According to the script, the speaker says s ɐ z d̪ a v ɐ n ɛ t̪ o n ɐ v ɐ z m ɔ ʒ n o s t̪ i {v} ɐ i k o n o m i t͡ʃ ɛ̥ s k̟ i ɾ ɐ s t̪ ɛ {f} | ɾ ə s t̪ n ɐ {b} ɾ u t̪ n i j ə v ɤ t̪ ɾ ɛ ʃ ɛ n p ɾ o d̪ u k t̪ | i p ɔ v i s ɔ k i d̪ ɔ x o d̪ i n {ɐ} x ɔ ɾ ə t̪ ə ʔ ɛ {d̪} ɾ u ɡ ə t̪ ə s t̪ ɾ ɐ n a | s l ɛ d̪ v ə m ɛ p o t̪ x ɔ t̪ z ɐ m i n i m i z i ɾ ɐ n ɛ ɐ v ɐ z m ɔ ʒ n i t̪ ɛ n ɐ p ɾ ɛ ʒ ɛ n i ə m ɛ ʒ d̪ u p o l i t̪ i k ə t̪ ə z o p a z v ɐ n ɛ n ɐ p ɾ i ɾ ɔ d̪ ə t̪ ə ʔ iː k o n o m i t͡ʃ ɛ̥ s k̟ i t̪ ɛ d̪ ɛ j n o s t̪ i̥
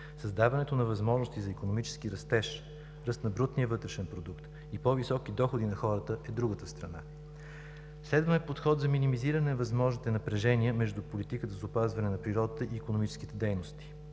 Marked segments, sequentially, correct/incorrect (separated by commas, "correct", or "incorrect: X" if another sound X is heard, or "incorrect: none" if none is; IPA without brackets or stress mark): incorrect: z, incorrect: ʃ, correct, correct, correct